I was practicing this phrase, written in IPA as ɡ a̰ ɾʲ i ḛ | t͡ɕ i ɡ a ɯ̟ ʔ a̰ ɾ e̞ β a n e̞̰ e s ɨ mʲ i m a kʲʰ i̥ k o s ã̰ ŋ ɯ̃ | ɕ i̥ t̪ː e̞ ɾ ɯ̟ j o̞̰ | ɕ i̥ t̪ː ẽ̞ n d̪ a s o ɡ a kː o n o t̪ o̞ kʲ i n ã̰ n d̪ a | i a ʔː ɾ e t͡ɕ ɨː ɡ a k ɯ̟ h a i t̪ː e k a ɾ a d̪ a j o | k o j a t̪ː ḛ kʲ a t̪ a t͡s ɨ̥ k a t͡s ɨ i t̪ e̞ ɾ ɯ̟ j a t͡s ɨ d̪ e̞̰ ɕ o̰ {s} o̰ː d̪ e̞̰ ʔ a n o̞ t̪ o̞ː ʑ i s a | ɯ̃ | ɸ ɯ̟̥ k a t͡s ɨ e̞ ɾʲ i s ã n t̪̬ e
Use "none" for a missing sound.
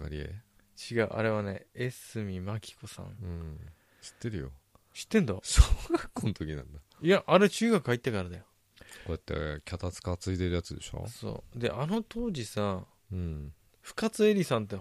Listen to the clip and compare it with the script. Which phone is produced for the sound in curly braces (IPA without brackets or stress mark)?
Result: s